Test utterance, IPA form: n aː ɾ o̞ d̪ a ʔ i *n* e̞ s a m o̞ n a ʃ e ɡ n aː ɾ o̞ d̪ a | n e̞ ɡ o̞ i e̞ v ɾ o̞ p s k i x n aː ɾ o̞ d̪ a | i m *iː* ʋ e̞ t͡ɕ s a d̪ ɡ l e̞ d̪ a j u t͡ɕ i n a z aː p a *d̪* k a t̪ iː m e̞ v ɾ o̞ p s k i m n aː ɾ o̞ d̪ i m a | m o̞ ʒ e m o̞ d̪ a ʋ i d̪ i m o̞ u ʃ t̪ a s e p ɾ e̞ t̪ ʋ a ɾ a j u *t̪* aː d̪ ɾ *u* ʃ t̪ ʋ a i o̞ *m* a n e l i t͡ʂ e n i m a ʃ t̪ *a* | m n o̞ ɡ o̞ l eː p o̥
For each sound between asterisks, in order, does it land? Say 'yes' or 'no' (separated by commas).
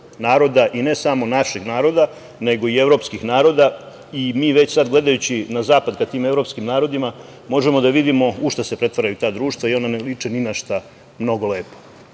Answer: yes, yes, yes, yes, no, no, yes